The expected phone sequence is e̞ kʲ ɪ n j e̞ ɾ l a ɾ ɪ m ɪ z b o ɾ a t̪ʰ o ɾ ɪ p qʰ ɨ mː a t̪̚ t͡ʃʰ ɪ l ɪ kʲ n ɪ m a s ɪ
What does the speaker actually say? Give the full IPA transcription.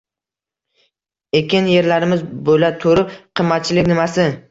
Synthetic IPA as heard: e̞ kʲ ɪ n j e̞ ɾ l a ɾ ɪ m ɪ z b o l a t̪ʰ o ɾ ɪ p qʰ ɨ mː a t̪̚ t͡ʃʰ ɪ l ɪ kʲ n ɪ m a s ɪ